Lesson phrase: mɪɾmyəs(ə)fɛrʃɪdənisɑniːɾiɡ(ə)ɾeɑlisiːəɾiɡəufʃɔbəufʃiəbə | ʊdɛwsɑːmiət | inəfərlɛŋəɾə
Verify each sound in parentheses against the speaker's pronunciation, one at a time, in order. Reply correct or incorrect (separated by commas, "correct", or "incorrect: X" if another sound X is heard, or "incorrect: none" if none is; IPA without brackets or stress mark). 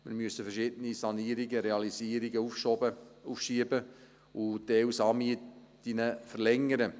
correct, correct